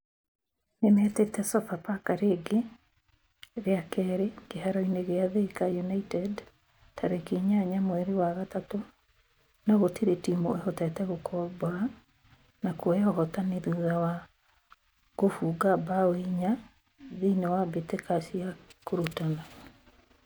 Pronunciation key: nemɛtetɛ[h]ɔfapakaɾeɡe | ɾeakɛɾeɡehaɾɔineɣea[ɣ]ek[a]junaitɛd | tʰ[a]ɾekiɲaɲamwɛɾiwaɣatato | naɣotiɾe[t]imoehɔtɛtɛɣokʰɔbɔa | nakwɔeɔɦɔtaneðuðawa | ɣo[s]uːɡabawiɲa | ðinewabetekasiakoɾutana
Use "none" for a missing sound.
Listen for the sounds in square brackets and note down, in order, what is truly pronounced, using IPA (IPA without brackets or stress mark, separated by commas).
s, ð, a, a, t, f